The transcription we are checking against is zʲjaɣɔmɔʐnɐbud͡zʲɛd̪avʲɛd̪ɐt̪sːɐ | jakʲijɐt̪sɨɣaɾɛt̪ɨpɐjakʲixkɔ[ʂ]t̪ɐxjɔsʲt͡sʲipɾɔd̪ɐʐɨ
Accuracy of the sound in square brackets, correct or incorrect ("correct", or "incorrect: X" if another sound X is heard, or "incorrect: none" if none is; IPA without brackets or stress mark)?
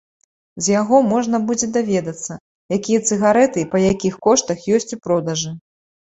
correct